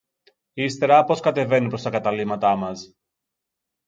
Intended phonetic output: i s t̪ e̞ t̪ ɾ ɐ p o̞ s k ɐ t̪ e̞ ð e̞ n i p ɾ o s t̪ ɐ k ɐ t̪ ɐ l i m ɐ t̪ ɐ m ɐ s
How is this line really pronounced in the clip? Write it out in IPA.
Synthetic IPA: i s t̪ e̞ ɾ ɐ p o̞ s k ɐ t̪ e̞ v e̞ n i p ɾ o s t̪ ɐ k ɐ t̪ ɐ l i m ɐ t̪ ɐ m ɐ s